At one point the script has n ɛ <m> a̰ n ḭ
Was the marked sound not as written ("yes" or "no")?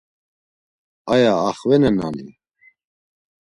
yes